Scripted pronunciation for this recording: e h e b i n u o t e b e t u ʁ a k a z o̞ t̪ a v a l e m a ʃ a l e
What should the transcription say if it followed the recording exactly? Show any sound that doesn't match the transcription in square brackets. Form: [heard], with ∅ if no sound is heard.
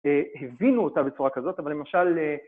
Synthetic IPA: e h e [v] i n u o t [a] b e [t͡s] u ʁ a k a z o̞ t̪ a v a l e m a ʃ a l e